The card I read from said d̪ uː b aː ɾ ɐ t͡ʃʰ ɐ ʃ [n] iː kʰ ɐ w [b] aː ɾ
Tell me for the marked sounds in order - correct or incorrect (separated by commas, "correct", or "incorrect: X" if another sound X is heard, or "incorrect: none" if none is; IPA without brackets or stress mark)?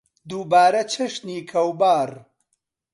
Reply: correct, correct